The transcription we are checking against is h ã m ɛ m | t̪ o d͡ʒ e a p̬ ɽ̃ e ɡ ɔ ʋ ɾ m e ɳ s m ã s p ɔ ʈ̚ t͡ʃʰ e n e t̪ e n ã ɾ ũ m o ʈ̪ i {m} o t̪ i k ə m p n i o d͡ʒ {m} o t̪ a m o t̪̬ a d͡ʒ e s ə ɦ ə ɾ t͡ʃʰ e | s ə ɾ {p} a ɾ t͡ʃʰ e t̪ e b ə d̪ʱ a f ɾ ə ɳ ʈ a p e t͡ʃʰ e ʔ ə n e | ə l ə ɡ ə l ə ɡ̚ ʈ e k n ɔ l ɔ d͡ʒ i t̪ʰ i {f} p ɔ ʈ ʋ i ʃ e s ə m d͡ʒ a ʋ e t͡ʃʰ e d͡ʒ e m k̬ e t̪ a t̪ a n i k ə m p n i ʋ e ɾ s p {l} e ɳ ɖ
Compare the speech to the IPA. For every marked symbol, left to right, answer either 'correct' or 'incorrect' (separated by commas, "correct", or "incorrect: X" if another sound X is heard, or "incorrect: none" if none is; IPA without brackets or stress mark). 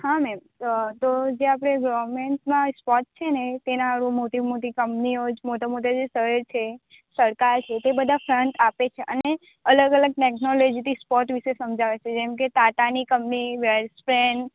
correct, correct, incorrect: k, incorrect: s, incorrect: ɾ